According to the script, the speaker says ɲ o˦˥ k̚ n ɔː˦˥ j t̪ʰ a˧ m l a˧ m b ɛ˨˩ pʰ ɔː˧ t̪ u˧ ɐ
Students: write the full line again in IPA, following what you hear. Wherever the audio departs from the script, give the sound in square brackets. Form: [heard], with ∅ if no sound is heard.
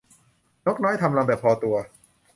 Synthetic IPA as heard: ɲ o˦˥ k̚ n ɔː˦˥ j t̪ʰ a˧ m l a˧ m b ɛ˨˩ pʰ ɔː˧ t̪ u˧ ɐ